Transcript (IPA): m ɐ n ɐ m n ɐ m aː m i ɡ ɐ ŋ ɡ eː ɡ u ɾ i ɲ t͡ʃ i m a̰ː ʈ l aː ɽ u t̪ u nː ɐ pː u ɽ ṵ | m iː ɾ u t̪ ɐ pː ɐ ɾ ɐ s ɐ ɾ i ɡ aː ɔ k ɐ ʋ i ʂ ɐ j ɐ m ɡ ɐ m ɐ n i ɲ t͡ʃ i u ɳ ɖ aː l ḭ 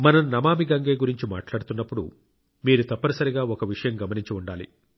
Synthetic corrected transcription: m ɐ n ɐ m n ɐ m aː m i ɡ ɐ ŋ ɡ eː ɡ u ɾ i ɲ t͡ʃ i m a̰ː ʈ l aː ɽ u t̪ u nː ɐ pː u ɽ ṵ | m iː ɾ u t̪ ɐ pː ɐ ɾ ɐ s ɐ ɾ i ɡ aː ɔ k ɐ ʋ i ʂ ɐ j ɐ m ɡ ɐ m ɐ n i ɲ t͡ʃ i u ɳ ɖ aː l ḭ